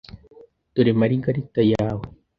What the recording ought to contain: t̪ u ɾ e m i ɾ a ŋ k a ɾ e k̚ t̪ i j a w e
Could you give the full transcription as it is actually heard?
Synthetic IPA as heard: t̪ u ɾ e m a ɾ i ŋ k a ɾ i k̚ t̪ a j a w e